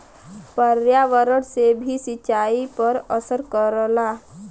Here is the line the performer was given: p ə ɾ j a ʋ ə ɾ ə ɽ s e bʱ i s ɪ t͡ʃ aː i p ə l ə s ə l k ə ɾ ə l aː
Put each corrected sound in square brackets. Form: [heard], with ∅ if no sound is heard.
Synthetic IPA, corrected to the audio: p ə ɾ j a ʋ ə ɾ ə ɽ s e bʱ i s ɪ t͡ʃ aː i p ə [ɾ] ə s ə [ɾ] k ə ɾ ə l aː